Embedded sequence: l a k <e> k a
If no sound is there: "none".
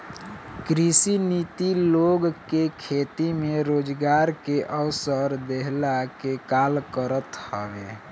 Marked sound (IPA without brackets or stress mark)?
e